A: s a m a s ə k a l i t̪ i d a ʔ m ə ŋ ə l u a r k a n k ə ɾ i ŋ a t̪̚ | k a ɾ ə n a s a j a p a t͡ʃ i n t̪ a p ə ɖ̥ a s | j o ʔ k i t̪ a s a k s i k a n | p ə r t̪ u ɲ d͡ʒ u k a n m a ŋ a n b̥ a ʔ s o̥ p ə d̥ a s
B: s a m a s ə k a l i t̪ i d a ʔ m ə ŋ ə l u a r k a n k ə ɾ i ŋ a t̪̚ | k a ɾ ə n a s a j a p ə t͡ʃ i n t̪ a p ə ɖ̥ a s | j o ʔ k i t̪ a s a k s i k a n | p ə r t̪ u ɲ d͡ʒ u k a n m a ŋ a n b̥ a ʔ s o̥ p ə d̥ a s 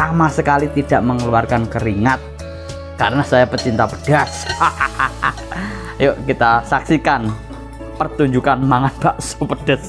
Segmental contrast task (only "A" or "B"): B